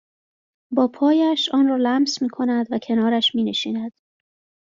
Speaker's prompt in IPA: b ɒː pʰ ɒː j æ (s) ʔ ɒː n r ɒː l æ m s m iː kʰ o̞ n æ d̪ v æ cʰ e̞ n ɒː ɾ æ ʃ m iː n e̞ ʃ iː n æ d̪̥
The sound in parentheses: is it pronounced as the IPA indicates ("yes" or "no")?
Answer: no